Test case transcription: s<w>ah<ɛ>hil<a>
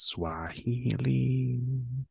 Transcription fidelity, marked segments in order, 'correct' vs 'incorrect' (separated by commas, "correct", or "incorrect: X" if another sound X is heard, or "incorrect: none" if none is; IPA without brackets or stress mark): correct, incorrect: i, incorrect: i